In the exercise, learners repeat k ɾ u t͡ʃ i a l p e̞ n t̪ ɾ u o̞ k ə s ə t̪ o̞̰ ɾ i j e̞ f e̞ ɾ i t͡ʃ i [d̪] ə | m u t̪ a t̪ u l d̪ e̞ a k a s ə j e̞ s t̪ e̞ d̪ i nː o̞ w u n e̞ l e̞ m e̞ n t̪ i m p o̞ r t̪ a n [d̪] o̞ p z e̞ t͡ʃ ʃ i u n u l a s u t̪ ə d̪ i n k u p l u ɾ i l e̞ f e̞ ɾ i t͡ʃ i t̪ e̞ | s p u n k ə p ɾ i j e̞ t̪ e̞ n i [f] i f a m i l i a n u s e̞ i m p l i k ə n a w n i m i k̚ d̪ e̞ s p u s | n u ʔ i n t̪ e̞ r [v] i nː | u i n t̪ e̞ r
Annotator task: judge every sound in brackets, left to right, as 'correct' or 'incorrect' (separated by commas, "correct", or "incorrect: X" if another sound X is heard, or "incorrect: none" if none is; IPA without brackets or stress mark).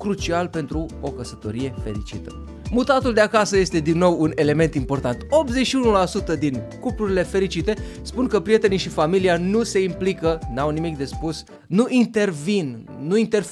incorrect: t̪, incorrect: t̪, incorrect: ʃ, correct